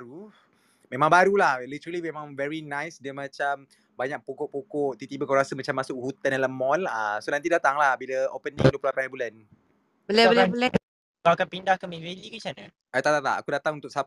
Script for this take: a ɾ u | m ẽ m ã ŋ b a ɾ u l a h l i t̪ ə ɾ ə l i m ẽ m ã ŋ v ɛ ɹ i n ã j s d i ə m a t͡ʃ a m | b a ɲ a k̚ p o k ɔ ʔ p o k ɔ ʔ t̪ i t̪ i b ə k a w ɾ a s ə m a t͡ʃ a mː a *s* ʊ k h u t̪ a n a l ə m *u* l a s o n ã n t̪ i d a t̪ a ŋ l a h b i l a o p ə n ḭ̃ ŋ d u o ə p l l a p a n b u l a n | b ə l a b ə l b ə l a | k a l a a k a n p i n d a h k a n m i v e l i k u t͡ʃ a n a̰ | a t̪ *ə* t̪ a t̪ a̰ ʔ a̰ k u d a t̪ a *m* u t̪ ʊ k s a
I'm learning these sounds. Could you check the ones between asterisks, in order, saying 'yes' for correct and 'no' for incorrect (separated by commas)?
yes, no, no, no